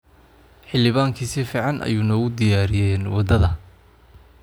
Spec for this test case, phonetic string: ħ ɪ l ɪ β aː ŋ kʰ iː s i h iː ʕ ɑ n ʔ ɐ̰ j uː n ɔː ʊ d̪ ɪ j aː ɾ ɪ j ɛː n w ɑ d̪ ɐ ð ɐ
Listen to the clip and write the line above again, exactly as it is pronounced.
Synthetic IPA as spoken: ħ ɪ l ɪ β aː ŋ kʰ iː s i f iː ʕ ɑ n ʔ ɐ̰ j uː n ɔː ʊ d̪ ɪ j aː ɾ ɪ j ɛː n w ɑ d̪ ɐ ð ɐ